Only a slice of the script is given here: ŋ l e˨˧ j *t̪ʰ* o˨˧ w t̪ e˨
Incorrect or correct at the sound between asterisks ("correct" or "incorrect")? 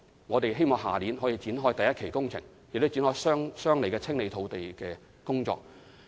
correct